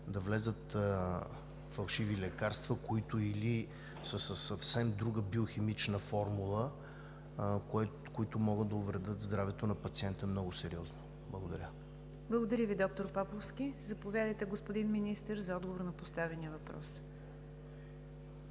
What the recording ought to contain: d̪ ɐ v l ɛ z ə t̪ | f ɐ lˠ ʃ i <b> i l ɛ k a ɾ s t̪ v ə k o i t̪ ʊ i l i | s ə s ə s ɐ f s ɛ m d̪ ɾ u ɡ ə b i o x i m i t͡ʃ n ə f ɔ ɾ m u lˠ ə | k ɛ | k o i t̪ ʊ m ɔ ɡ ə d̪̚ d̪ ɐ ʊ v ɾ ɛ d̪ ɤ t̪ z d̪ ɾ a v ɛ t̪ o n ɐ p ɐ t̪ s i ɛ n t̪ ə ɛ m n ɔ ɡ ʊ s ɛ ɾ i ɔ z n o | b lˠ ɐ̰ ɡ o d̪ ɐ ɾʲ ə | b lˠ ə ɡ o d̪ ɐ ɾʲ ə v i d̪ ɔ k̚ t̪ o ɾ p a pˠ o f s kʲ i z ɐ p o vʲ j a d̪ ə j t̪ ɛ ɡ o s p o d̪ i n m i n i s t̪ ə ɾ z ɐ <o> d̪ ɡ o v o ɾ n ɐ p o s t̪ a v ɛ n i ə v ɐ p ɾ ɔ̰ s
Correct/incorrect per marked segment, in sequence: incorrect: v, incorrect: ɔ

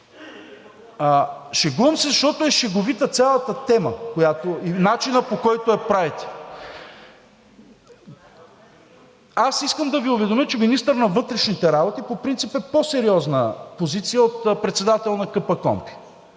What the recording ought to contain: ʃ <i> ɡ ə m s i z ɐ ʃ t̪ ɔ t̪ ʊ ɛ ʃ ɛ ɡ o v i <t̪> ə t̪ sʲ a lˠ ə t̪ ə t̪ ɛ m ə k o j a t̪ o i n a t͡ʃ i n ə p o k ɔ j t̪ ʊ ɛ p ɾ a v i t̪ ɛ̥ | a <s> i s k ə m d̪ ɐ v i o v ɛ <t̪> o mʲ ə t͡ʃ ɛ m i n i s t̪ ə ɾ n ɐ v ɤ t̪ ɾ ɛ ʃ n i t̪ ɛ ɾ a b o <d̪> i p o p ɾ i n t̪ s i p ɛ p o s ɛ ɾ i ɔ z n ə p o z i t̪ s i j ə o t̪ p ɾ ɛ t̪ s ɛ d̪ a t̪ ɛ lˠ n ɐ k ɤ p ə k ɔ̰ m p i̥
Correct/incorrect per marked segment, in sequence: incorrect: ɛ, correct, correct, incorrect: d̪, incorrect: t̪

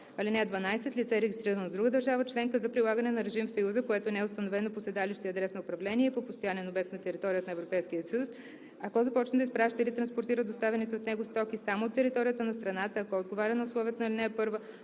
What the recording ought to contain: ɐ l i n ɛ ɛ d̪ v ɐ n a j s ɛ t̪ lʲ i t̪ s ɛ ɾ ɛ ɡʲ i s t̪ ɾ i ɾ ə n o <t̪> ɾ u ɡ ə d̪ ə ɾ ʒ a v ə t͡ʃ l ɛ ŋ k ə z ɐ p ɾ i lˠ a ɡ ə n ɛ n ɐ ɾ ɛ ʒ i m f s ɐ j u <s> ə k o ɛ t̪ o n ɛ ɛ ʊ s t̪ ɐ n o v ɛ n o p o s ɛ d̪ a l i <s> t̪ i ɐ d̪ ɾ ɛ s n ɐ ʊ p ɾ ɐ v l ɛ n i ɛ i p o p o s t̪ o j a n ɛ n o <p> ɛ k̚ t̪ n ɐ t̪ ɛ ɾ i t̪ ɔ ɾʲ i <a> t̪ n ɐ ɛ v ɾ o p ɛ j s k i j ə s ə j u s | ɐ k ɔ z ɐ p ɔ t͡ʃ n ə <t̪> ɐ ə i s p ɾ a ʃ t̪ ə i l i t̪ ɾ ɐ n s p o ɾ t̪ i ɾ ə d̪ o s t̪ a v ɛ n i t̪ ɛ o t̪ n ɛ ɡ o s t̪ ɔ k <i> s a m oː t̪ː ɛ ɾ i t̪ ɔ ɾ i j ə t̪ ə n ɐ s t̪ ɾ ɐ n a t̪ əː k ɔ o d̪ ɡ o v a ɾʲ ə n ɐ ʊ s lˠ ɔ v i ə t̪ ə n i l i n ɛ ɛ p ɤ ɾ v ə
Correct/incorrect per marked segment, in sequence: incorrect: d̪, incorrect: z, incorrect: ʃ, incorrect: b, incorrect: ə, incorrect: d̪, correct

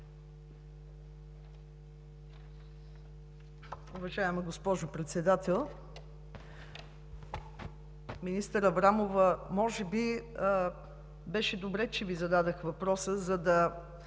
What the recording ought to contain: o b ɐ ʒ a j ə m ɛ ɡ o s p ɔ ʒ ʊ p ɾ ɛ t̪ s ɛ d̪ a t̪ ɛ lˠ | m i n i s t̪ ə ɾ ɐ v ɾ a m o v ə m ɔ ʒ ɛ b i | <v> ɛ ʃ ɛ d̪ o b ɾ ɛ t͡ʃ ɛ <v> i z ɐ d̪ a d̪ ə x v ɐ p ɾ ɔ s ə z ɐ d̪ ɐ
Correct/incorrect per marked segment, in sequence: incorrect: b, correct

